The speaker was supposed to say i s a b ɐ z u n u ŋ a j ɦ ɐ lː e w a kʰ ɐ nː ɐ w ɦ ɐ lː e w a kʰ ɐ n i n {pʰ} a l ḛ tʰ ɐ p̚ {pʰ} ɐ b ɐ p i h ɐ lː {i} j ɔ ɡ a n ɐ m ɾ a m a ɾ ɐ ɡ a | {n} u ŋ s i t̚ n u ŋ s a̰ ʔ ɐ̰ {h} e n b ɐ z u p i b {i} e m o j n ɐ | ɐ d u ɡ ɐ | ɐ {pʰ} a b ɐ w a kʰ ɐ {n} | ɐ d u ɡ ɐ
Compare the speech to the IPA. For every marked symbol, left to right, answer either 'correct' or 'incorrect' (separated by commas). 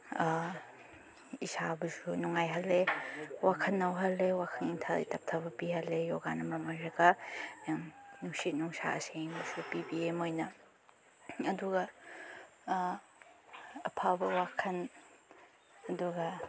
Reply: incorrect, incorrect, incorrect, correct, incorrect, correct, correct, correct